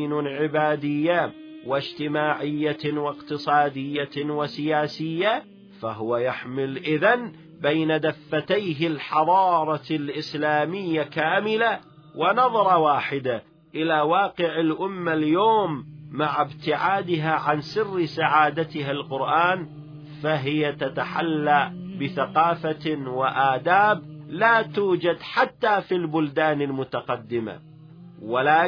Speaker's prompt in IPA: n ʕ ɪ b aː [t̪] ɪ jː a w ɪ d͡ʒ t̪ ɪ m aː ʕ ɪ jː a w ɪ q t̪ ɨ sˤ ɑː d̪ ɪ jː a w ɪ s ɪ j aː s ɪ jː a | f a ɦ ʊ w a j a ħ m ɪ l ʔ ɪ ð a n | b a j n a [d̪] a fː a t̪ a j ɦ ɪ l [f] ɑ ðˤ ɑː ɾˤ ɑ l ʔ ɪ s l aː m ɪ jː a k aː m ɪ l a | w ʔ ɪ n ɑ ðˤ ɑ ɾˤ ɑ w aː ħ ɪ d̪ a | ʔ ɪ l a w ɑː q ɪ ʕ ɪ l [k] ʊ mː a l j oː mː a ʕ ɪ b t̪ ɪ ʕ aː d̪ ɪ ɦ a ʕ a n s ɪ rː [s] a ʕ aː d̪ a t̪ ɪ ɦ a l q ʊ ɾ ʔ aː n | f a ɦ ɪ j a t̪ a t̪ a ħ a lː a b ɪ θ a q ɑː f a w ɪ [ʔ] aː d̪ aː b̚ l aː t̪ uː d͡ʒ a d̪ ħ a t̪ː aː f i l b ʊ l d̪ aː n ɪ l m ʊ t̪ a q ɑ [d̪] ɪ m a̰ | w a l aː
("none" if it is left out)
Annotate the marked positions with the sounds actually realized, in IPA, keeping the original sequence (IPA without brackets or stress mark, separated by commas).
d̪, d̪, ħ, ʔ, s, ʔ, d̪ː